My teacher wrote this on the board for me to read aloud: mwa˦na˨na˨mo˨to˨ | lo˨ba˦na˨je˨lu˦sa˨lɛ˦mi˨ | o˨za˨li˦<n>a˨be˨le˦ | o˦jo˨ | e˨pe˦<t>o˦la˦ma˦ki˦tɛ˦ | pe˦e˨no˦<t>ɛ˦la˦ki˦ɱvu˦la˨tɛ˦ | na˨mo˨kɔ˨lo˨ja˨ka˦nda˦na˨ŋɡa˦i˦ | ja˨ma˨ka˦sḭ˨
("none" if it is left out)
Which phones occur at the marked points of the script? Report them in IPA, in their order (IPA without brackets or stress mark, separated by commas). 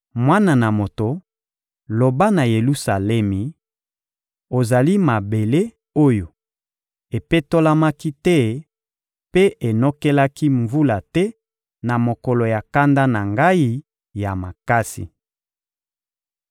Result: m, t, k